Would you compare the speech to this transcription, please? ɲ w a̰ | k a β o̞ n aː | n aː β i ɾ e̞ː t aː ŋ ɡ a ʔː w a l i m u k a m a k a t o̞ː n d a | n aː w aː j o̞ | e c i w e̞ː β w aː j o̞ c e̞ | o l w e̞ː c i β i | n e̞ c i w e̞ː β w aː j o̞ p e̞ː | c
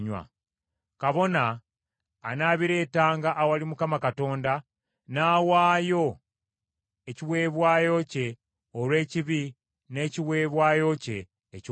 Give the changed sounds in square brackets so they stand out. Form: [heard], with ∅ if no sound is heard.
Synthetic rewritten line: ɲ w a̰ | k a β o̞ n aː | n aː β i ɾ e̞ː t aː ŋ ɡ a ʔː w a l i m u k a m a k a t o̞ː n d a | n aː w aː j o̞ | e c i w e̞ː β w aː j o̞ c e̞ | o l w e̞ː c i β i | n e̞ c i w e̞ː β w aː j o̞ [c] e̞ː | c